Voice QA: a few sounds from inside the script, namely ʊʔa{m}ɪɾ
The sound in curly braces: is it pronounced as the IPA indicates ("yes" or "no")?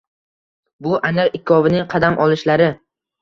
no